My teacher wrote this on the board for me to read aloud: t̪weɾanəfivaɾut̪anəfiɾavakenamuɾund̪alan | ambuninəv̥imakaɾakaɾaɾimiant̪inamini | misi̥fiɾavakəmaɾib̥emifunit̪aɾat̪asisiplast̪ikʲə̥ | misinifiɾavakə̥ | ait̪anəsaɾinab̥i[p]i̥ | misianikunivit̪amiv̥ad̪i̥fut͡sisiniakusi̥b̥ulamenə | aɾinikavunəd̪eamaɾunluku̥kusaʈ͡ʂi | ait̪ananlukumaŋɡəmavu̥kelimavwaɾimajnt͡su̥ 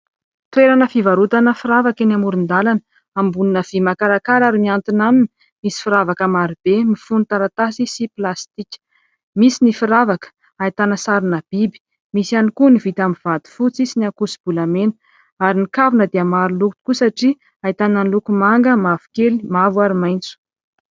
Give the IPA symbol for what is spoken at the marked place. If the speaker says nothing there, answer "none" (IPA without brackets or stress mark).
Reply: b